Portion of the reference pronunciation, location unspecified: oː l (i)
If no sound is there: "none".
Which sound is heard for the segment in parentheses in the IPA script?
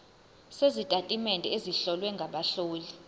i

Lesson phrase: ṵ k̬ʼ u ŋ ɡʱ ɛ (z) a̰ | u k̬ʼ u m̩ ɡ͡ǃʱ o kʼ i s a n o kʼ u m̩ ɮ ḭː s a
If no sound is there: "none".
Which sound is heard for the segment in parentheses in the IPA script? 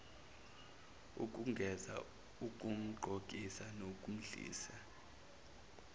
z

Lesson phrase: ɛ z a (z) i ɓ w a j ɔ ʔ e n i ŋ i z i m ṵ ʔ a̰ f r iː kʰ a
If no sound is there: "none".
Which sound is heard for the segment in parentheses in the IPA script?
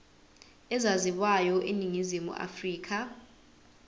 z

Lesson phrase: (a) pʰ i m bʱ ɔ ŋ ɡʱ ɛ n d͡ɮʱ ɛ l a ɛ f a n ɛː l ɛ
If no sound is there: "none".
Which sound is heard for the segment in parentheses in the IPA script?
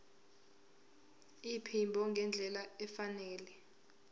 i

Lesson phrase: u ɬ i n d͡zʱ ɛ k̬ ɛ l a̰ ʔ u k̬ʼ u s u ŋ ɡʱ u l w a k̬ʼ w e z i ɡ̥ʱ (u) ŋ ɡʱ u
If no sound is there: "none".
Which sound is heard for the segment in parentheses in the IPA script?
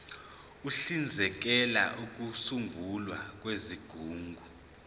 uː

